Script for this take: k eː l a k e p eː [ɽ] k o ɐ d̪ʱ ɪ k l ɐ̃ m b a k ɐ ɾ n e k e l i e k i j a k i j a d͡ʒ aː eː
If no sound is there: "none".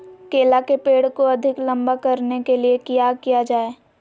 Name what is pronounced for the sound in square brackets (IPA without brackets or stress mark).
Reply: ɽ